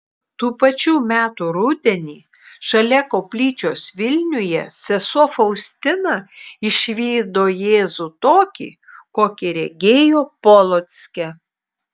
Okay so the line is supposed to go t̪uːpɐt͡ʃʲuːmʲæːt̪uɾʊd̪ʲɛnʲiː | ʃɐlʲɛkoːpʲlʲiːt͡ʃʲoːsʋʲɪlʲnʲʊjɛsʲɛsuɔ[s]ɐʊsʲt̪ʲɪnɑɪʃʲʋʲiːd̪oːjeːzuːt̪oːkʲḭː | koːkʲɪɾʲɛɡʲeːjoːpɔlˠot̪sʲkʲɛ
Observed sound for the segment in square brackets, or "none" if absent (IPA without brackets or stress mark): f